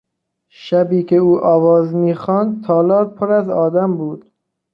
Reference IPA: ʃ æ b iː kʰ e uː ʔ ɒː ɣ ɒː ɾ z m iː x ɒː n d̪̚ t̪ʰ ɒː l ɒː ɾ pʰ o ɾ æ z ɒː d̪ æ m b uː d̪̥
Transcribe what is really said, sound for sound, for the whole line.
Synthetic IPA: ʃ æ b iː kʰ e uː ʔ ɒː v ɒː z m iː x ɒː n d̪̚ t̪ʰ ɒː l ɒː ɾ pʰ o ɾ æ z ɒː d̪ æ m b uː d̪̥